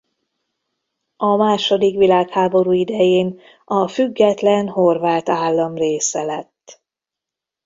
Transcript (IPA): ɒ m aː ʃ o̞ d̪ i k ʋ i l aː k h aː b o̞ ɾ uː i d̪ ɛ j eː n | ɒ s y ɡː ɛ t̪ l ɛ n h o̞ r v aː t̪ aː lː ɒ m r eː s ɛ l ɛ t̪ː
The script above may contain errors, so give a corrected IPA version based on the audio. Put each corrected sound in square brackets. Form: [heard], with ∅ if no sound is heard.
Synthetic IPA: ɒ m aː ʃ o̞ d̪ i k ʋ i l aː k h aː b o̞ ɾ uː i d̪ ɛ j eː n | ɒ [f] y ɡː ɛ t̪ l ɛ n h o̞ r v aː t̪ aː lː ɒ m r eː s ɛ l ɛ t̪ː

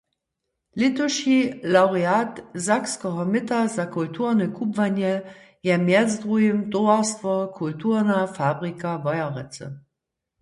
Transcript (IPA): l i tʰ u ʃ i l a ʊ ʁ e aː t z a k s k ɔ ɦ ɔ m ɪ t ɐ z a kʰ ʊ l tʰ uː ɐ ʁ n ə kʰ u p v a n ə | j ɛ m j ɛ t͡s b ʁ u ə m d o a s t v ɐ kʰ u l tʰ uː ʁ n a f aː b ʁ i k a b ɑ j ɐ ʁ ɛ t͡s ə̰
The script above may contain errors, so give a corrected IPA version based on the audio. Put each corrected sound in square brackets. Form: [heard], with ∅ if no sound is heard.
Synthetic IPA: l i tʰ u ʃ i l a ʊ ʁ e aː t z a k s k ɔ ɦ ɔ m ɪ t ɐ z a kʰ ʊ l tʰ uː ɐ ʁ n ə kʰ u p v a n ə | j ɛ m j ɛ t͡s [d] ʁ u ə m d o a s t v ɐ kʰ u l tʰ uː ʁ n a f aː b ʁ i k a [v] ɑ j ɐ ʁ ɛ t͡s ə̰

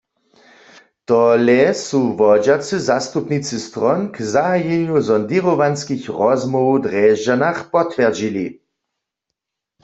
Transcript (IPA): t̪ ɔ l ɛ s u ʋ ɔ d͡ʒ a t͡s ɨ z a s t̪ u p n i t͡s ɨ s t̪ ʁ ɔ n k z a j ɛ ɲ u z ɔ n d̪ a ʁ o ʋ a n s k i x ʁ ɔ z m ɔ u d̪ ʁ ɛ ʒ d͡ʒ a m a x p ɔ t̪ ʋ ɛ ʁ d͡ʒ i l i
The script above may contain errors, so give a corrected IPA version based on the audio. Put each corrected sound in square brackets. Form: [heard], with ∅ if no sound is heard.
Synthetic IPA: t̪ ɔ l ɛ s u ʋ ɔ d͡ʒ a t͡s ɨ z a s t̪ u p n i t͡s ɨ s t̪ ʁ ɔ n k z a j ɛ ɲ u z ɔ n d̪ [i] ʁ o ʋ a n s k i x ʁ ɔ z m ɔ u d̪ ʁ ɛ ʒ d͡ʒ a [n] a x p ɔ t̪ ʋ ɛ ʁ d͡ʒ i l i

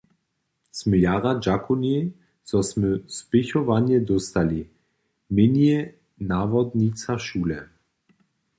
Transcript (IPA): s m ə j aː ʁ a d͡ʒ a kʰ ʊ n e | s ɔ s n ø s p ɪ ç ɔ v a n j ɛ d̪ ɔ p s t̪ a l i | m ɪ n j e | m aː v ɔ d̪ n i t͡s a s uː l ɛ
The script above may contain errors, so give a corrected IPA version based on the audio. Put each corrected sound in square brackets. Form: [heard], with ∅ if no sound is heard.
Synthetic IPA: s m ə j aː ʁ a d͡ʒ a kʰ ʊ n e | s ɔ s [m] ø s p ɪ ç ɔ v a n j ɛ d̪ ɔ [∅] s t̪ a l i | m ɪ n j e | [n] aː v ɔ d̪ n i t͡s a [ʃ] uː l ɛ

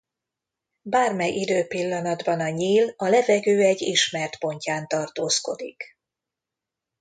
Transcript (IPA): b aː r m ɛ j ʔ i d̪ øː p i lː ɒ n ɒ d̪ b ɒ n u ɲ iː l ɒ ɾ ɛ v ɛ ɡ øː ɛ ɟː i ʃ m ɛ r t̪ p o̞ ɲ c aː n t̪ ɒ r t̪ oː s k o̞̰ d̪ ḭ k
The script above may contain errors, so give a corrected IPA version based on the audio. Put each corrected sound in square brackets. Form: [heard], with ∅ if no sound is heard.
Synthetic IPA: b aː r m ɛ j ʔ i d̪ øː p i lː ɒ n ɒ d̪ b ɒ n [ɒ] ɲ iː l ɒ [l] ɛ v ɛ ɡ øː ɛ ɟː i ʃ m ɛ r t̪ p o̞ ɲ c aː n t̪ ɒ r t̪ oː s k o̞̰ d̪ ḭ k

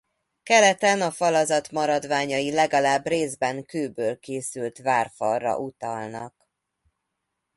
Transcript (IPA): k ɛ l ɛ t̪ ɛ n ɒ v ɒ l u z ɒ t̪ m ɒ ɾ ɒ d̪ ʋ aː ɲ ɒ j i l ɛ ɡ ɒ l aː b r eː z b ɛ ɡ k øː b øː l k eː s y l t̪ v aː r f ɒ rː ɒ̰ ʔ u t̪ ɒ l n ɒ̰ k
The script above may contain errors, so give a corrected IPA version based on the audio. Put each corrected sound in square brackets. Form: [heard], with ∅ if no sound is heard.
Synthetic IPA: k ɛ l ɛ t̪ ɛ n ɒ [f] ɒ l [ɒ] z ɒ t̪ m ɒ ɾ ɒ d̪ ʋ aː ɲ ɒ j i l ɛ ɡ ɒ l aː b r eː z b ɛ [ŋ] k øː b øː l k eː s y l t̪ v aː r f ɒ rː ɒ̰ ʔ u t̪ ɒ l n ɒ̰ k

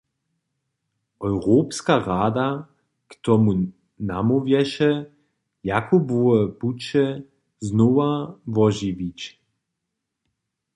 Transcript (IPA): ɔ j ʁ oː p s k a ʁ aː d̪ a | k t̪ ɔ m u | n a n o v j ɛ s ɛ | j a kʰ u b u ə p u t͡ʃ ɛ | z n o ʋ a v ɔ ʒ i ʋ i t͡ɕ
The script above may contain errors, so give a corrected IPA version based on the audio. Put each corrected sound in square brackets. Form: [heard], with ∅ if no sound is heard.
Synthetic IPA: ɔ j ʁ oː p s k a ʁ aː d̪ a | k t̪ ɔ m u | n a [m] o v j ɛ [ʃ] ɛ | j a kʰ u b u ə p u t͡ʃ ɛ | z n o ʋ a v ɔ ʒ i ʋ i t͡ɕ

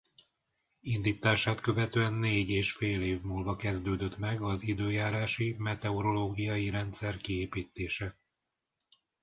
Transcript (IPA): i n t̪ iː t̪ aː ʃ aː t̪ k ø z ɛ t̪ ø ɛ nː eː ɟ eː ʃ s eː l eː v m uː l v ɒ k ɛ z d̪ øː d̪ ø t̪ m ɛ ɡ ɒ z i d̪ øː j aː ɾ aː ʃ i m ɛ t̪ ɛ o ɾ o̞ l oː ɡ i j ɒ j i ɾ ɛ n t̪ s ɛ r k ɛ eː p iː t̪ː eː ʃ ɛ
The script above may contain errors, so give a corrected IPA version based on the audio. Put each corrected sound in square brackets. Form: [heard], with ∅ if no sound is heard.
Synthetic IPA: i n [d̪] iː t̪ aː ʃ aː t̪ k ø [v] ɛ t̪ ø ɛ nː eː ɟ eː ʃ [f] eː l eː v m uː l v ɒ k ɛ z d̪ øː d̪ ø t̪ m ɛ ɡ ɒ z i d̪ øː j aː ɾ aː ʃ i m ɛ t̪ ɛ o ɾ o̞ l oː ɡ i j ɒ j i ɾ ɛ n t̪ s ɛ r k [i] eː p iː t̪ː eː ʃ ɛ

